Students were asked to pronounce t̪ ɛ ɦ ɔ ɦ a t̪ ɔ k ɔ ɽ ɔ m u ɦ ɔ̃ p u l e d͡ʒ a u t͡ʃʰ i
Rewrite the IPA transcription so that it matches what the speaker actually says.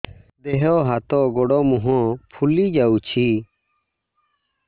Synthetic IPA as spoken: d̪ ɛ ɦ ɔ ɦ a t̪ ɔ ɡ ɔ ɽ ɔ m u ɦ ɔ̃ pʰ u l i d͡ʒ a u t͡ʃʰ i

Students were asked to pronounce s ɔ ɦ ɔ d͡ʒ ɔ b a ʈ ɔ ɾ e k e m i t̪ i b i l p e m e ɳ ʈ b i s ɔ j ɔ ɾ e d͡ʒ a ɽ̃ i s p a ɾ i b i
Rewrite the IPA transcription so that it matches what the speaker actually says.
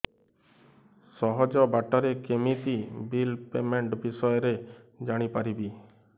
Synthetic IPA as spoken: s ɔ ɦ ɔ d͡ʒ ɔ b a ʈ ɔ ɾ e k e m i t̪ i b i l p e m e ɳ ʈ b i s ɔ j ɔ ɾ e d͡ʒ a ɽ̃ i p a ɾ i b i

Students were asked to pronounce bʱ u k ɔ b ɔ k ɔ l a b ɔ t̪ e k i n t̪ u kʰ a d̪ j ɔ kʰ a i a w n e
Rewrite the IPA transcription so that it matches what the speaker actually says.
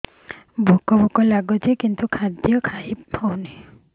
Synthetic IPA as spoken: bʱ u k ɔ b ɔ k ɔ l a ɡ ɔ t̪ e k i n t̪ u kʰ a d̪ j ɔ kʰ a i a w n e

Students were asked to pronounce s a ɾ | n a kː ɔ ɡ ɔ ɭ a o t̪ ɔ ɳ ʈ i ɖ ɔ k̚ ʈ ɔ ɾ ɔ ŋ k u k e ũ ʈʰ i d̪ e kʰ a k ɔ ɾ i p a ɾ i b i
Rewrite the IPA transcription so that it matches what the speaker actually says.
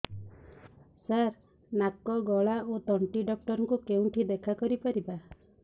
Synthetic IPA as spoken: s a ɾ | n a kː ɔ ɡ ɔ ɭ a o t̪ ɔ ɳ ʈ i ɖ ɔ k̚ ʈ ɔ ɾ ɔ ŋ k u k e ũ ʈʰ i d̪ e kʰ a k ɔ ɾ i p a ɾ i b a

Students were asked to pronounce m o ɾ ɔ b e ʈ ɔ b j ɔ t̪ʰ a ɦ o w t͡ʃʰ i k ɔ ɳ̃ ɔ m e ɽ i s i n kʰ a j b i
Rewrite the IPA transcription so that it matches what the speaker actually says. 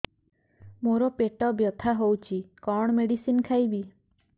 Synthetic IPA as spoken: m o ɾ ɔ p e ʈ ɔ b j ɔ t̪ʰ a ɦ o w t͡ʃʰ i k ɔ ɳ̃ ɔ m e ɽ i s i n kʰ a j b i

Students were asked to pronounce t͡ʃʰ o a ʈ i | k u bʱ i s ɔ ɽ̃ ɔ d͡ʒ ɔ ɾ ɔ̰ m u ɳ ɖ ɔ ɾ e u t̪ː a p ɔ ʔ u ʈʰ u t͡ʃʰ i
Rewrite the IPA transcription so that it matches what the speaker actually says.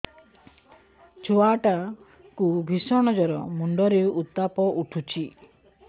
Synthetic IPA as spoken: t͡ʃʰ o a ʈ a | k u bʱ i s ɔ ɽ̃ ɔ d͡ʒ ɔ ɾ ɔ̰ m u ɳ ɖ ɔ ɾ e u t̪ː a p ɔ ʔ u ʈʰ u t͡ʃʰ i

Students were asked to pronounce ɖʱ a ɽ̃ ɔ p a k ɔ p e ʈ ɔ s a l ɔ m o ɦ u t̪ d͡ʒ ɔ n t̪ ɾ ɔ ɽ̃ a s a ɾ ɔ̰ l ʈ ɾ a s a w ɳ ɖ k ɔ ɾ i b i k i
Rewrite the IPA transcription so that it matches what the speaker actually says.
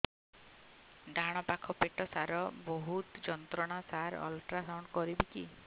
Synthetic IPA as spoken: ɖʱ a ɽ̃ ɔ p a kʰ ɔ p e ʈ ɔ s a ɾ ɔ b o ɦ u t̪ d͡ʒ ɔ n t̪ ɾ ɔ ɽ̃ a s a ɾ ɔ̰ l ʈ ɾ a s a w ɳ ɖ k ɔ ɾ i b i k i

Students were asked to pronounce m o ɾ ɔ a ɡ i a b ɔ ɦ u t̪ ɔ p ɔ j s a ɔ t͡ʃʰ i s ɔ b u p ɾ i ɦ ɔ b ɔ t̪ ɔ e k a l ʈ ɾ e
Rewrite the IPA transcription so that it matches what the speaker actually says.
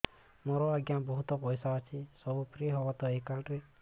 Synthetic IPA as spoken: m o ɾ ɔ a ɡ j a b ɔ ɦ u t̪ ɔ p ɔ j s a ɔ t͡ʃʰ i s ɔ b u p ɾ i ɦ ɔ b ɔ t̪ ɔ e k a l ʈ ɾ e

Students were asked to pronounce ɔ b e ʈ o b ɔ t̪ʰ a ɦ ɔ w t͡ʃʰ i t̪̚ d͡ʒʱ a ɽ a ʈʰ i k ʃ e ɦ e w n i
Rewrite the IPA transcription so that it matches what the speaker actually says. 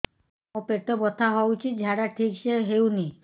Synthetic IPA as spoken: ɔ p e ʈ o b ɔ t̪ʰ a ɦ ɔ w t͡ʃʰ i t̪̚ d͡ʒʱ a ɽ a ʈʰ i k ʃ e ɦ e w n i

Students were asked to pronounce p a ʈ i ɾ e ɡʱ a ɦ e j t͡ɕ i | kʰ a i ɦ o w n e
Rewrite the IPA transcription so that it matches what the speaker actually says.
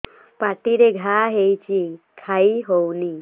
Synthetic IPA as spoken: p a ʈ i ɾ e ɡʱ a ɦ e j t͡ɕ i | kʰ a i ɦ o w n i

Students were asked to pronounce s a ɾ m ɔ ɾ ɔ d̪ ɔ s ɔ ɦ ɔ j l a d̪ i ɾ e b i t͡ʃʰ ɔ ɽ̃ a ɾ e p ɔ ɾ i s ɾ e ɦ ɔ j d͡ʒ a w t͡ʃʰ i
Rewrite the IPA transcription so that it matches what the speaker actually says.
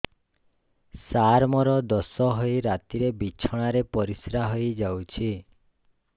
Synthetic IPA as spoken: s a ɾ m ɔ ɾ ɔ d̪ ɔ s ɔ ɦ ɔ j ɾ a t̪ i ɾ e b i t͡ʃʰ ɔ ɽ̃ a ɾ e p ɔ ɾ i s ɾ a ɦ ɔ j d͡ʒ a w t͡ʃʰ i

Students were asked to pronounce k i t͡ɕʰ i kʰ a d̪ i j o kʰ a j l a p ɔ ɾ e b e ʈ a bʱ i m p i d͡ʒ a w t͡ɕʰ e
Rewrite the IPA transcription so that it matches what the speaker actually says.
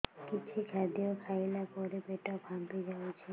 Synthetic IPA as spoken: k i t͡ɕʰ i kʰ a d̪ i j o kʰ a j l a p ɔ ɾ e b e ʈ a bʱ a m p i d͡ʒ a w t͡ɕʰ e

